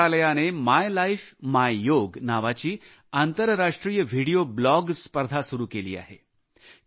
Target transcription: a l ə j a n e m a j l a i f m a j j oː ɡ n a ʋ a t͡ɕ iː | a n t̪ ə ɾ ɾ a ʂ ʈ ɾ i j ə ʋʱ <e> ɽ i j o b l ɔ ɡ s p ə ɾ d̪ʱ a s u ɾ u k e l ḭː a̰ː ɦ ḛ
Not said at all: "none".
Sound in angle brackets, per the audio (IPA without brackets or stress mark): i